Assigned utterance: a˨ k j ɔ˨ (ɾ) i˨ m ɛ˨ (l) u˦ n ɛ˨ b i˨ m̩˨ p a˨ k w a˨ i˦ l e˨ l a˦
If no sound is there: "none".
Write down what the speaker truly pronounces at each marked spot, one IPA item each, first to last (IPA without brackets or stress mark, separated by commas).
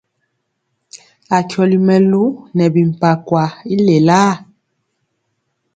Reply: l, l